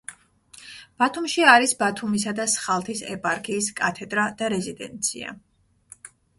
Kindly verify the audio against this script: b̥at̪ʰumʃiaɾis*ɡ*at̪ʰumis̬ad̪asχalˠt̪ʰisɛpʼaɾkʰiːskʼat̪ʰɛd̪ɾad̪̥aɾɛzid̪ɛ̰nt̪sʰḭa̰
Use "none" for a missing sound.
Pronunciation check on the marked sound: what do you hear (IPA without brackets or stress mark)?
b